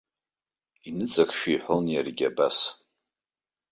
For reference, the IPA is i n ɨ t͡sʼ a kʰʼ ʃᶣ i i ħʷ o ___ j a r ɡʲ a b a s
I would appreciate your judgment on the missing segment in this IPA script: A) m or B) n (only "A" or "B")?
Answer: B